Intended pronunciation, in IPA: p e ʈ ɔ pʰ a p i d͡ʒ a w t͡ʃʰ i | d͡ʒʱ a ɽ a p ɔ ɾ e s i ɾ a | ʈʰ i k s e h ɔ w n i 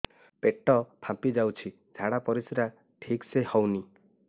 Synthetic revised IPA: p e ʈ ɔ pʰ a p i d͡ʒ a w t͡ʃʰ i | d͡ʒʱ a ɽ a p ɔ ɾ i s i ɾ a | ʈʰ i k s e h ɔ w n i